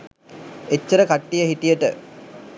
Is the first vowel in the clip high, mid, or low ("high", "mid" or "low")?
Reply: mid